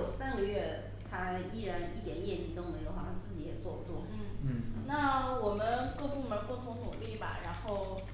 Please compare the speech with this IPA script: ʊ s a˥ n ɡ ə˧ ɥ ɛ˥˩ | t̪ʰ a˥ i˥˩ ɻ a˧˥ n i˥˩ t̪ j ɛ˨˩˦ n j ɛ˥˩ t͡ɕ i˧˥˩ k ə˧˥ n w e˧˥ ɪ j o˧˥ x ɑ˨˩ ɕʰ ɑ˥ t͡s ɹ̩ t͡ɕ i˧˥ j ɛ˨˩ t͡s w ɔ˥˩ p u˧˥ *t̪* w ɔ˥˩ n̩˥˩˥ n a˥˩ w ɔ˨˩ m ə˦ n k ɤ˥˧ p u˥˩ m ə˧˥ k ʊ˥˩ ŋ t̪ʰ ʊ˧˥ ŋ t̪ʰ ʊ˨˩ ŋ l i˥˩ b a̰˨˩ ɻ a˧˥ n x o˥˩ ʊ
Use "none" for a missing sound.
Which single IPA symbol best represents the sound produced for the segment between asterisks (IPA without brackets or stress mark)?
t̪